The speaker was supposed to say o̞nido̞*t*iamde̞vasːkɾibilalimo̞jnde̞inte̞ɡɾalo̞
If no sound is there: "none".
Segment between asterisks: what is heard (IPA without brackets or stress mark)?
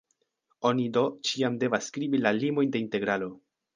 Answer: t͡ʃ